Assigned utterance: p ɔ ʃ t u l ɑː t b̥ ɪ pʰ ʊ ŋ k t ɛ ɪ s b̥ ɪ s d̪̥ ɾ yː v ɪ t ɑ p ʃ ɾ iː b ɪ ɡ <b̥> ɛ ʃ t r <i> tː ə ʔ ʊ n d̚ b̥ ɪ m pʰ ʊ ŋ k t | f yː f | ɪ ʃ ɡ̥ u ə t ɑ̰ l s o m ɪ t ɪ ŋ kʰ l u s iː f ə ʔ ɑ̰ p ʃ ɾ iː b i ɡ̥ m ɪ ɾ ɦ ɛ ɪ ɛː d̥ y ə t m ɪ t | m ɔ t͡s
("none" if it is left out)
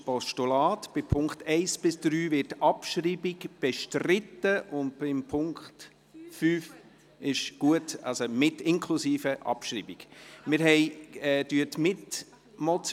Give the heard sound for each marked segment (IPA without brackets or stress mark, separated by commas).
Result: b̥, ɪ